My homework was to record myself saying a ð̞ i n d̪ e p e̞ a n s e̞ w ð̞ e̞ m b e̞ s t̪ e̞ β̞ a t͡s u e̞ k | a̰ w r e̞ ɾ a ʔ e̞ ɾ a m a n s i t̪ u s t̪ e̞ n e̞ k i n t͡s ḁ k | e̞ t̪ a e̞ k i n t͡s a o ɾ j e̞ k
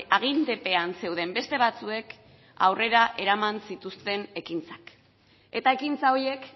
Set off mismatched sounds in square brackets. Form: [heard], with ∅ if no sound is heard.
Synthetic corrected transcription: a [ɣ̞] i n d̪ e p e̞ a n s e̞ w ð̞ e̞ m b e̞ s t̪ e̞ β̞ a t͡s u e̞ k | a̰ w r e̞ ɾ a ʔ e̞ ɾ a m a n s i t̪ u s t̪ e̞ n e̞ k i n t͡s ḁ k | e̞ t̪ a e̞ k i n t͡s a o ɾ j e̞ k